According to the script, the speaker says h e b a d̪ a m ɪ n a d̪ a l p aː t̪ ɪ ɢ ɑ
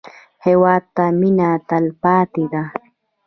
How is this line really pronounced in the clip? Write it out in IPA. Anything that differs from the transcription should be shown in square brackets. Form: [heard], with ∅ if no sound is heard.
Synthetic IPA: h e [w] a [t̪] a m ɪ n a [t̪] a l p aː t̪ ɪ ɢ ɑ